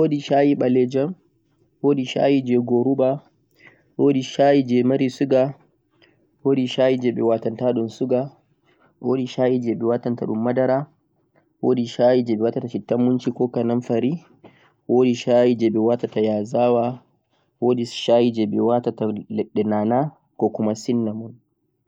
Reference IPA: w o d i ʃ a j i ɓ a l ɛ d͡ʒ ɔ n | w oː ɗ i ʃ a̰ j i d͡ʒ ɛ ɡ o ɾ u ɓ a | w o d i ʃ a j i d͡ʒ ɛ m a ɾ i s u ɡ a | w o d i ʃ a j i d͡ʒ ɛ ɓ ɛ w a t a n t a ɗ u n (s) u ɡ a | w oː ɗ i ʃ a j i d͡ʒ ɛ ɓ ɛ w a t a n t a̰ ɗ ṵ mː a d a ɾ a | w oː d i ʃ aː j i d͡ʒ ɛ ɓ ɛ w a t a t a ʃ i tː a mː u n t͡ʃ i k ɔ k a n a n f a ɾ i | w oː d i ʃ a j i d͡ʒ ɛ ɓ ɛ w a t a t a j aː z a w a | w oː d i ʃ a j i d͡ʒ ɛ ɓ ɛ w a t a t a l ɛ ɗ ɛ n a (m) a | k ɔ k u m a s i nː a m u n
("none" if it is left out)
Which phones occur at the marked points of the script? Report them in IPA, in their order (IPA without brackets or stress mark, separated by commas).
s, n